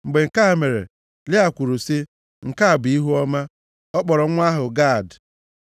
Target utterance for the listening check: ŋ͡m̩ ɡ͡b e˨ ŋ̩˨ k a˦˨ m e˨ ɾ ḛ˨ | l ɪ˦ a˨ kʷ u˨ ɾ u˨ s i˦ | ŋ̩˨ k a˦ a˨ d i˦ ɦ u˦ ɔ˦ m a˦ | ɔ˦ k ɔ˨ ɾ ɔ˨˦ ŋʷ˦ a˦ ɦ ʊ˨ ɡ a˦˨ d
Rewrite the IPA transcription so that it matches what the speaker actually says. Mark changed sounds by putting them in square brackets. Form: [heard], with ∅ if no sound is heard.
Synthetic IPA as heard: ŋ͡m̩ ɡ͡b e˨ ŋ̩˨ k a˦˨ m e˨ ɾ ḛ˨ | l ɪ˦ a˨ kʷ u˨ ɾ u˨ s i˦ | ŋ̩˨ k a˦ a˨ [b] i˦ ɦ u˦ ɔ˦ m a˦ | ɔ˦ [k͡p] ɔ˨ ɾ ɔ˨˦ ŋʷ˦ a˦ ɦ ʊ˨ ɡ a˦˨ d

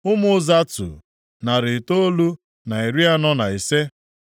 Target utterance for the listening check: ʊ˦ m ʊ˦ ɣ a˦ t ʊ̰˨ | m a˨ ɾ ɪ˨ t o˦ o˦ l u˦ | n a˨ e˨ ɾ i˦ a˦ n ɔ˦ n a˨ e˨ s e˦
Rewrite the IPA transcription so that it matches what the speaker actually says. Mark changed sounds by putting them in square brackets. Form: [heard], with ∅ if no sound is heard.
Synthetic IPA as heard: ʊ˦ m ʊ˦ [z] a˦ t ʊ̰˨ | [n] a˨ ɾ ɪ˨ t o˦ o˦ l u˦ | n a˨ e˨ ɾ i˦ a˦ n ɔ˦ n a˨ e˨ s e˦

